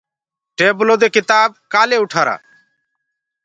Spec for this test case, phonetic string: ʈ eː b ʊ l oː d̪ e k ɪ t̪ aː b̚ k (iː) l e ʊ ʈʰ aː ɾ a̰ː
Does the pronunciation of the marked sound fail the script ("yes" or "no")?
yes